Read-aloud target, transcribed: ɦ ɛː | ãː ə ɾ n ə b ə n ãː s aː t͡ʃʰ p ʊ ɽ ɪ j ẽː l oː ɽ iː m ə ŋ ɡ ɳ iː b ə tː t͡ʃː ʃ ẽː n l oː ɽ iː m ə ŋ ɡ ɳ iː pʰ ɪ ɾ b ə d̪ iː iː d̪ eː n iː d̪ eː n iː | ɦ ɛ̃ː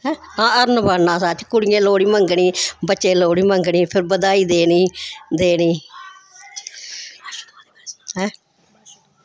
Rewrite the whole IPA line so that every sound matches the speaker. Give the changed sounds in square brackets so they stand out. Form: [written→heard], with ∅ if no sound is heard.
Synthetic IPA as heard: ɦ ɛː | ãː ə ɾ n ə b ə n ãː s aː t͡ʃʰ [p→k] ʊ ɽ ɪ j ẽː l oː ɽ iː m ə ŋ ɡ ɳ iː b ə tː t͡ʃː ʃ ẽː [n→∅] l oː ɽ iː m ə ŋ ɡ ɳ iː pʰ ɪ ɾ b ə d̪ [iː→aː] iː d̪ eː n iː d̪ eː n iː | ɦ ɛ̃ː